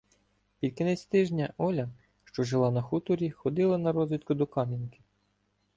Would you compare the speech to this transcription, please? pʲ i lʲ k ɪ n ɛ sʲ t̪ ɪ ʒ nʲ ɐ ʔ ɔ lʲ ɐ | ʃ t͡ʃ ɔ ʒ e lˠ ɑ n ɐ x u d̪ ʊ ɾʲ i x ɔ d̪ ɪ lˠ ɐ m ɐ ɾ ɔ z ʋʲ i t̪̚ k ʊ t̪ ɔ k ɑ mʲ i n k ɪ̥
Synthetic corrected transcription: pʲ i lʲ k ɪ n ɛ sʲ t̪ ɪ ʒ nʲ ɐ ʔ ɔ lʲ ɐ | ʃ t͡ʃ ɔ ʒ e lˠ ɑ n ɐ x u t̪ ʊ ɾʲ i x ɔ d̪ ɪ lˠ ɐ n ɐ ɾ ɔ z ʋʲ i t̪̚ k ʊ d̪ ɔ k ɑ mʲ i n k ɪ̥